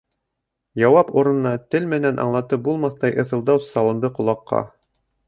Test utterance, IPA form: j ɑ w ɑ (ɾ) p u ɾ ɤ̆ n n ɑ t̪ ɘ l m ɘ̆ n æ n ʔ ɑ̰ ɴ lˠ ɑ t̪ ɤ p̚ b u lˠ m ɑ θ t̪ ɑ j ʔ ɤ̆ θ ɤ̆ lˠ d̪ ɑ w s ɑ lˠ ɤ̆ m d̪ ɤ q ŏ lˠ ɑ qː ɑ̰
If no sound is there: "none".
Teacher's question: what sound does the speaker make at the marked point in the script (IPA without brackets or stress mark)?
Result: none